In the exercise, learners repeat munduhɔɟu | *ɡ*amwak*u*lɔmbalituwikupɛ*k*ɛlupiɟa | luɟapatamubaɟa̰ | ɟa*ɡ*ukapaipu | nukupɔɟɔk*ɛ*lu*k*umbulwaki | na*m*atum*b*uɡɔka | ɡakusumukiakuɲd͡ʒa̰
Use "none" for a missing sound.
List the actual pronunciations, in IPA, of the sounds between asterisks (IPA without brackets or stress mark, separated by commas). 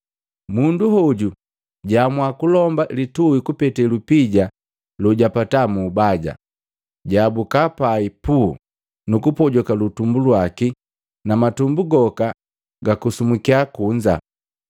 ɟ, u, t, b, a, t, m, b